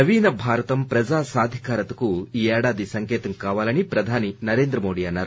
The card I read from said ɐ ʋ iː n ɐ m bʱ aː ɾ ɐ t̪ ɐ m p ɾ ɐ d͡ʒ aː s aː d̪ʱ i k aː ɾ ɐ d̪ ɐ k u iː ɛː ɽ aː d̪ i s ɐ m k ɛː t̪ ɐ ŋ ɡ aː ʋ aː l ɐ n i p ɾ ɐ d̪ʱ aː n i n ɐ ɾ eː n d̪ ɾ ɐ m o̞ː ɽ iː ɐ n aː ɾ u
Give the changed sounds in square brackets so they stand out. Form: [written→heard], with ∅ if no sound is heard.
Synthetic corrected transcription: ɐ ʋ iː n ɐ [m→∅] bʱ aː ɾ ɐ t̪ ɐ m p ɾ ɐ d͡ʒ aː s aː d̪ʱ i k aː ɾ ɐ [d̪→t̪] ɐ k u iː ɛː ɽ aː d̪ i s ɐ [m→ŋ] k ɛː t̪ ɐ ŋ [ɡ→k] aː ʋ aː l ɐ n i p ɾ ɐ d̪ʱ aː n i n ɐ ɾ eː n d̪ ɾ ɐ m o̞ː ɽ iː ɐ [n→nː] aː ɾ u

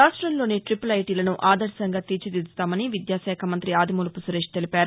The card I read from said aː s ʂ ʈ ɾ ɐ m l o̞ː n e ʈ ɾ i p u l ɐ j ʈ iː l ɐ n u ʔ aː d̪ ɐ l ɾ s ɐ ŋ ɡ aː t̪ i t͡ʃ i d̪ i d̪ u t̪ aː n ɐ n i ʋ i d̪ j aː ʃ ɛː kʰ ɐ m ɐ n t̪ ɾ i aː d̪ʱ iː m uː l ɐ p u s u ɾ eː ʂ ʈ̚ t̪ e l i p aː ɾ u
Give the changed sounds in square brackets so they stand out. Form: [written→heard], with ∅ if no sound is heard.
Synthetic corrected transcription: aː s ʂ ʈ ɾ ɐ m l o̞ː n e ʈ ɾ i p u l ɐ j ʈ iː l ɐ n u ʔ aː d̪ ɐ [l→∅] ɾ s ɐ ŋ ɡ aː t̪ i t͡ʃ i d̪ i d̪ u t̪ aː [n→m] ɐ n i ʋ i d̪ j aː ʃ ɛː kʰ ɐ m ɐ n t̪ ɾ i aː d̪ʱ [iː→i] m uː l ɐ p u s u ɾ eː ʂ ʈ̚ t̪ e l i p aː ɾ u

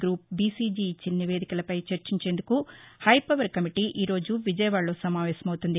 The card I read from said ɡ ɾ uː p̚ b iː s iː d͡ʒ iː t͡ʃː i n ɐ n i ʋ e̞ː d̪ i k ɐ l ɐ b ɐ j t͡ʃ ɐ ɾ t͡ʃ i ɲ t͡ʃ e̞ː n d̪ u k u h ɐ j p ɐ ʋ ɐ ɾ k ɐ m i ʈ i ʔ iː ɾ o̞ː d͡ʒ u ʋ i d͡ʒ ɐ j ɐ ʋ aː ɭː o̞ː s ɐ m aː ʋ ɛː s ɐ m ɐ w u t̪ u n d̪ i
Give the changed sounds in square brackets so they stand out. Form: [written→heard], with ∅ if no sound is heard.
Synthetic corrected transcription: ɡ ɾ uː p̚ b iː s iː d͡ʒ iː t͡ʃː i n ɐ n i ʋ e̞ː d̪ i k ɐ l ɐ [b→p] ɐ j t͡ʃ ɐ ɾ t͡ʃ i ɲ t͡ʃ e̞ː n d̪ u k u h ɐ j p ɐ ʋ ɐ ɾ k ɐ m i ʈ i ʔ iː ɾ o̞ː d͡ʒ u ʋ i d͡ʒ ɐ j ɐ ʋ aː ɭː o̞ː s ɐ m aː ʋ ɛː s ɐ m ɐ w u t̪ u n d̪ i

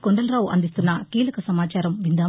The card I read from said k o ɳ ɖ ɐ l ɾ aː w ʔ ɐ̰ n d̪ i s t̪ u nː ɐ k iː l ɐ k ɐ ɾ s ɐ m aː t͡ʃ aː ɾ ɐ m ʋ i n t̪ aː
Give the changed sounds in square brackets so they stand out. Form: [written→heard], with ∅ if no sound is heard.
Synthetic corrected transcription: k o ɳ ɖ ɐ l ɾ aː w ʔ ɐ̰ n d̪ i s t̪ u nː ɐ k iː l ɐ k ɐ [ɾ→∅] s ɐ m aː t͡ʃ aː ɾ ɐ m ʋ i n [t̪→d̪] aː

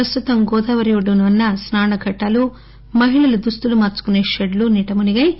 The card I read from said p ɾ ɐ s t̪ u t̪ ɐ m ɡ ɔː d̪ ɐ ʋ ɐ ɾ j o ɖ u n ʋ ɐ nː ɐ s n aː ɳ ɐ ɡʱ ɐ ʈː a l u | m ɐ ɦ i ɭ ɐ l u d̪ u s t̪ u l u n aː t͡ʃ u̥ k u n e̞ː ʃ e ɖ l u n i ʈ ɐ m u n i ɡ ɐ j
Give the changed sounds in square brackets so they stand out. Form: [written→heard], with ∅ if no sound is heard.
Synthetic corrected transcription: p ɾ ɐ s t̪ u t̪ ɐ m ɡ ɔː d̪ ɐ ʋ ɐ ɾ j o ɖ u n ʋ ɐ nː ɐ s n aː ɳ ɐ ɡʱ ɐ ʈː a l u | m ɐ ɦ i ɭ ɐ l u d̪ u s t̪ u l u [n→m] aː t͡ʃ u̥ k u n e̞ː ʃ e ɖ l u n i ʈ ɐ m u n i ɡ ɐ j

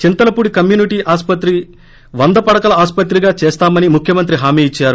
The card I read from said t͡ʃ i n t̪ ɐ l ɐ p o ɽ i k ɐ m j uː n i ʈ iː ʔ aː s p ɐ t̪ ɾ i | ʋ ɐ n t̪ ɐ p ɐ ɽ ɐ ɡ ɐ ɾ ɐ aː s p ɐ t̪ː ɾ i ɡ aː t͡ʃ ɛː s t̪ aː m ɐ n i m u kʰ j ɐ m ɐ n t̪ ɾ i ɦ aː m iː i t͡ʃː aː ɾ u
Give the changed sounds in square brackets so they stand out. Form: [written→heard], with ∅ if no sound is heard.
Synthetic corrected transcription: t͡ʃ i n t̪ ɐ l ɐ p [o→u] ɽ i k ɐ m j uː n i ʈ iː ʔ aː s p ɐ t̪ ɾ i | ʋ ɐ n [t̪→d̪] ɐ p ɐ ɽ ɐ [ɡ→k] ɐ [ɾ→l] ɐ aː s p ɐ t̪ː ɾ i ɡ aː t͡ʃ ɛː s t̪ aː m ɐ n i m u kʰ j ɐ m ɐ n t̪ ɾ i ɦ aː m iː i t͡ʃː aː ɾ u

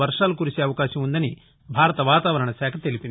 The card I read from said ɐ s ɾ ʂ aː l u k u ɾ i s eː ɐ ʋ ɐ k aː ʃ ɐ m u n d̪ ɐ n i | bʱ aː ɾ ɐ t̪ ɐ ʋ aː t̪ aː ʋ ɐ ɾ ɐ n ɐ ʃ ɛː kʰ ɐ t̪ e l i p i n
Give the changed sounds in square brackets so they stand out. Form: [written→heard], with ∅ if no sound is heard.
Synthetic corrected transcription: ɐ [s→∅] ɾ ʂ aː l u k u ɾ i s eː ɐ ʋ ɐ k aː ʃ ɐ m u n d̪ ɐ n i | bʱ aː ɾ ɐ t̪ ɐ ʋ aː t̪ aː ʋ ɐ ɾ ɐ [n→ɳ] ɐ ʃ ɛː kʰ ɐ t̪ e l i p i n

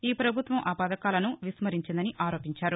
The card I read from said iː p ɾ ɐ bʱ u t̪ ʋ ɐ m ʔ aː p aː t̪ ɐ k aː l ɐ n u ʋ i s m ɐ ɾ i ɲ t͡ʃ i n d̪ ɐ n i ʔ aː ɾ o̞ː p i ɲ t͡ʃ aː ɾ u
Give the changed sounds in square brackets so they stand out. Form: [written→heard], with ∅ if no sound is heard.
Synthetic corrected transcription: iː p ɾ ɐ bʱ u t̪ ʋ ɐ m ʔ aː p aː [t̪→d̪] ɐ k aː l ɐ n u ʋ i s m ɐ ɾ i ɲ t͡ʃ i n d̪ ɐ n i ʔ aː ɾ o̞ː p i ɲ t͡ʃ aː ɾ u

